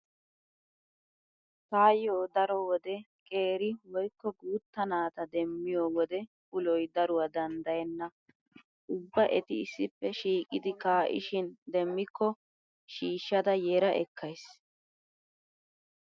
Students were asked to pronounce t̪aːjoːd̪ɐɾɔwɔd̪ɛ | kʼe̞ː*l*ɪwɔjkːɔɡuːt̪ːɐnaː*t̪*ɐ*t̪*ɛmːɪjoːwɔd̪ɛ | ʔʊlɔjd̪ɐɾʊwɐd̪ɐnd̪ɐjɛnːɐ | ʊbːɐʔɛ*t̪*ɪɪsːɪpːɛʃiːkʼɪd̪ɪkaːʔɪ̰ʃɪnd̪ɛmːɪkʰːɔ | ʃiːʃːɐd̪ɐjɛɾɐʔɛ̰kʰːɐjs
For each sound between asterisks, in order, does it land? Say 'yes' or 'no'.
no, yes, no, yes

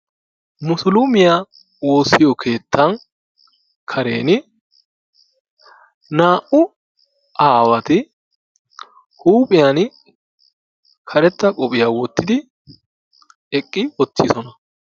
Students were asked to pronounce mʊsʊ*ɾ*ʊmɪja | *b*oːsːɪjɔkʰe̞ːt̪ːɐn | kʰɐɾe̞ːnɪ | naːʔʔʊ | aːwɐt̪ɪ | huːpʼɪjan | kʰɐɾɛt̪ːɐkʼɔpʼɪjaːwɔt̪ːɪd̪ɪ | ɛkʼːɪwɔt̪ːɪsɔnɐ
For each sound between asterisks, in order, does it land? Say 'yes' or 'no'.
no, no

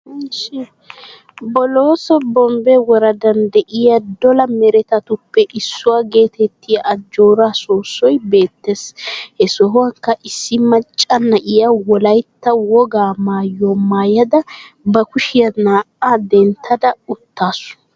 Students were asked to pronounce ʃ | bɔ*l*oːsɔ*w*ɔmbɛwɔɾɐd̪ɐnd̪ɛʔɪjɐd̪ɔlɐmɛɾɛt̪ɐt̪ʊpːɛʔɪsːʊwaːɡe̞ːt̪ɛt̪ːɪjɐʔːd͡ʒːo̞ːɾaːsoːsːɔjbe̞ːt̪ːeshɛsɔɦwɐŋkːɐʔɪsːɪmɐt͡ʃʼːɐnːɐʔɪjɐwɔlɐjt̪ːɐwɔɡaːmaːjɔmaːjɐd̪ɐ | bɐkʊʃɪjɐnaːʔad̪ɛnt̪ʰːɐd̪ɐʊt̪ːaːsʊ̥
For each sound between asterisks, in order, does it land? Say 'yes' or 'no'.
yes, no

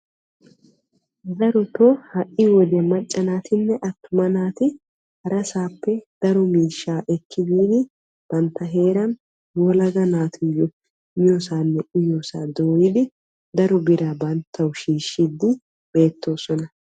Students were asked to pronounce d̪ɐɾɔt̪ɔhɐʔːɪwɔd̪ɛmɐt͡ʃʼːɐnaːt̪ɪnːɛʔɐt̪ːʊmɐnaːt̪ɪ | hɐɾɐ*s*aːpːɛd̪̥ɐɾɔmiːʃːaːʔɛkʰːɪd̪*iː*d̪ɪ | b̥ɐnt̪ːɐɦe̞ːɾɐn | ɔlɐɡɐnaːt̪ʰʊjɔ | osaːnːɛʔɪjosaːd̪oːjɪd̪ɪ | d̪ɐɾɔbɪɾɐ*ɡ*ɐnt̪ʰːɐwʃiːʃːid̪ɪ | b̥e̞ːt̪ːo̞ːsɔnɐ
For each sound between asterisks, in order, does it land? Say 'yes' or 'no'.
yes, yes, no

